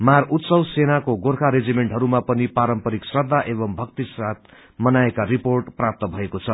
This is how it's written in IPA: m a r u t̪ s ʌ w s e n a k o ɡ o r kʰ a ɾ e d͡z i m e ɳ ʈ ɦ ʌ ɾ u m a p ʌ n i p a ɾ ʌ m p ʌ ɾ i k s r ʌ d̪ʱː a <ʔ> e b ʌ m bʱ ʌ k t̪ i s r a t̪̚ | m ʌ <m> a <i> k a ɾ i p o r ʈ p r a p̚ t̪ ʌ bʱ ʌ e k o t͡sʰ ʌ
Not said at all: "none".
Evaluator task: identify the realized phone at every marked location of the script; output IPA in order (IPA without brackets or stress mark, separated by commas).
ʔ, n, e